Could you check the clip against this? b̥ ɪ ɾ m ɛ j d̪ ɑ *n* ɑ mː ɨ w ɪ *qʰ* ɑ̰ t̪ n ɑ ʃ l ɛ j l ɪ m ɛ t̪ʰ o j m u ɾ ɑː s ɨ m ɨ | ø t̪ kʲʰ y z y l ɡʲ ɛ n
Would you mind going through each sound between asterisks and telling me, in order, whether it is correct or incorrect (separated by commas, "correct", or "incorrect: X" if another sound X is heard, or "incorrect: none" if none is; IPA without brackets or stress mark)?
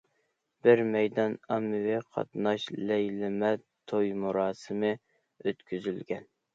correct, correct